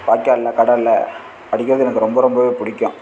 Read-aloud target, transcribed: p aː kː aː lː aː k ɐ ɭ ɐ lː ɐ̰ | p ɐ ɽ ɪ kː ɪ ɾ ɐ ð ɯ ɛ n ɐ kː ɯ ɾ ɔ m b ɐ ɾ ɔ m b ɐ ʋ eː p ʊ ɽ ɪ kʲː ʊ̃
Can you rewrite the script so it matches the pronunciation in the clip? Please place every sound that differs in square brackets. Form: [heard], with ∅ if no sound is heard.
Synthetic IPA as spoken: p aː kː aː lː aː k ɐ [ɽ] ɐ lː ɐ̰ | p ɐ ɽ ɪ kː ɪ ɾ ɐ ð ɯ ɛ n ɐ kː ɯ ɾ ɔ m b ɐ ɾ ɔ m b ɐ ʋ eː p ʊ ɽ ɪ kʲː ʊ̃